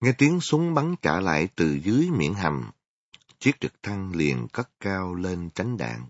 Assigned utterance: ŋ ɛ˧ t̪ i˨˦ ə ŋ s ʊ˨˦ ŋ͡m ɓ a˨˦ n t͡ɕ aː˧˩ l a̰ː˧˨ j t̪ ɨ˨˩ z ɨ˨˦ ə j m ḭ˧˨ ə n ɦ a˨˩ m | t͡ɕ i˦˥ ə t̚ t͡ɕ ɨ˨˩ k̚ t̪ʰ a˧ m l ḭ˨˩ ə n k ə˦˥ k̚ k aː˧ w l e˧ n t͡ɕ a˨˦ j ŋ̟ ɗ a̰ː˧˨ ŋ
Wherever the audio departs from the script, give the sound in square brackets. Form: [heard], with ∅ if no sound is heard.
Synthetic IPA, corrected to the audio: ŋ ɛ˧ t̪ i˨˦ ə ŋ s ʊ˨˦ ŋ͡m ɓ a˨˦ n t͡ɕ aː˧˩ l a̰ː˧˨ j t̪ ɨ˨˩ z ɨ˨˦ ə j m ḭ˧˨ ə n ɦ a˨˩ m | t͡ɕ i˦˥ ə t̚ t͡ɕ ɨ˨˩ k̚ t̪ʰ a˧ [ŋ] l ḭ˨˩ ə n k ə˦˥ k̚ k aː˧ w l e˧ n t͡ɕ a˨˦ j ŋ̟ ɗ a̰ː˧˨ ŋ